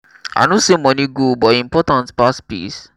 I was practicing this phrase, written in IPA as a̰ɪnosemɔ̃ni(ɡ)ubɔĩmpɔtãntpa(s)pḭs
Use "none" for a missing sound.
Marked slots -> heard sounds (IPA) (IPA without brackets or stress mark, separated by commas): ɡ, s